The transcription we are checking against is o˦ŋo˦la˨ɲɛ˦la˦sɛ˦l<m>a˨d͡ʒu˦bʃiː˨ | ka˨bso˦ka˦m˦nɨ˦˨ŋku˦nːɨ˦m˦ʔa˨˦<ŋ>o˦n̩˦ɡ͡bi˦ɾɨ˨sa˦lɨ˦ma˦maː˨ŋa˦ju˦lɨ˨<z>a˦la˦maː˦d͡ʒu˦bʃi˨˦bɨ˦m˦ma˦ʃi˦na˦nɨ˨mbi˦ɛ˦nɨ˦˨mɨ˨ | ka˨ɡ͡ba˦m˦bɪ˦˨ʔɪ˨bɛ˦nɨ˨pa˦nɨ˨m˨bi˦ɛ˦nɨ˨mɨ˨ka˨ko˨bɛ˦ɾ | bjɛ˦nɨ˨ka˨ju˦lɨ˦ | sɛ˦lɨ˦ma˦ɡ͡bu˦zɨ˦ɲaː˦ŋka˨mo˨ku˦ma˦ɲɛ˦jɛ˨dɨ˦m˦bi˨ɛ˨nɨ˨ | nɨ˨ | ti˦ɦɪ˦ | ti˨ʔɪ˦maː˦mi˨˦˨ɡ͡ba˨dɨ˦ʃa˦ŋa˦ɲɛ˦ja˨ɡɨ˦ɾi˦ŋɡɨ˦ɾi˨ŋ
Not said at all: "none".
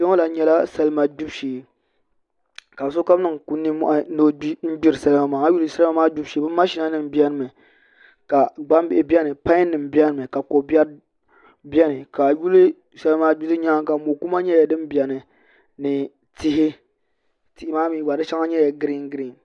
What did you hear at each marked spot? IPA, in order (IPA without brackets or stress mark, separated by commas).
m, n, s